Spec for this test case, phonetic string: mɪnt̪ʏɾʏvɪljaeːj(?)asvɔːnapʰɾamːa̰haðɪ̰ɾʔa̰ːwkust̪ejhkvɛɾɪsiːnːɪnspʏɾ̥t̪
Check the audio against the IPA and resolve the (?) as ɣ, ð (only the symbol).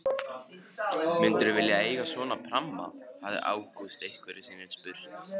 ɣ